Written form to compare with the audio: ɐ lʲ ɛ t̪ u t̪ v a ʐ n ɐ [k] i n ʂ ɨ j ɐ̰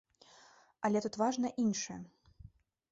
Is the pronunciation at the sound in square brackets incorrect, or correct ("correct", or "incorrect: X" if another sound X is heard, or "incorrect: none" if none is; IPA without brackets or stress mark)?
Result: incorrect: ʔ